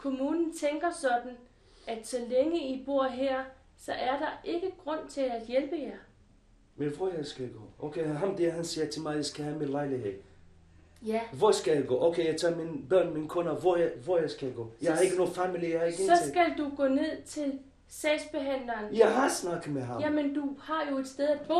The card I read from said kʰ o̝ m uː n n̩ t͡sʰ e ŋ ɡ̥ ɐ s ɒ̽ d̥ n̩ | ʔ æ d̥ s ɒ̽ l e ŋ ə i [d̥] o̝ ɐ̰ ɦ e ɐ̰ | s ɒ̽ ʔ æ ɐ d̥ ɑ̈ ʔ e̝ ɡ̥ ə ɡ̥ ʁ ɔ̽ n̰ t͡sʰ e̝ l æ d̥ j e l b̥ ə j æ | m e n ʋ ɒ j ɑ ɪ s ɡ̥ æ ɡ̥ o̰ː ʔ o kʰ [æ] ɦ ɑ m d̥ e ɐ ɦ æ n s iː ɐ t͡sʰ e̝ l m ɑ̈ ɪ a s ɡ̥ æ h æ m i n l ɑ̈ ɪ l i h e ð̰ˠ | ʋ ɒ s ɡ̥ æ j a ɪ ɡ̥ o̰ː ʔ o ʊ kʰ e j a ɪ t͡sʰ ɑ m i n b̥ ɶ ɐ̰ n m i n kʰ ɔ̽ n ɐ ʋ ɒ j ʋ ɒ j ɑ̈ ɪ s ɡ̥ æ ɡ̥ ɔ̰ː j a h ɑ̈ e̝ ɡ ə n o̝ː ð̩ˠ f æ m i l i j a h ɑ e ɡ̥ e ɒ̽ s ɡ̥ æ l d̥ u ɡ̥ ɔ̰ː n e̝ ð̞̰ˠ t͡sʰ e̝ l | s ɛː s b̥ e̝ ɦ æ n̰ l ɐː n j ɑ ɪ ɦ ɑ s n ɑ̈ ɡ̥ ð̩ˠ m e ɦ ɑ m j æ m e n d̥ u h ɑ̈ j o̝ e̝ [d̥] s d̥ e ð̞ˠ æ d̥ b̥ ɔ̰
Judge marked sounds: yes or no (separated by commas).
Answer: no, no, yes